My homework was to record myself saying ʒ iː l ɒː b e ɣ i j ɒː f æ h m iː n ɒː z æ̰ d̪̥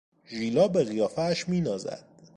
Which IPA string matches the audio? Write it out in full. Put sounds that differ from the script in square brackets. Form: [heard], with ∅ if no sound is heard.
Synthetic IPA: ʒ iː l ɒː b e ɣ i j ɒː f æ [ʃ] m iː n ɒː z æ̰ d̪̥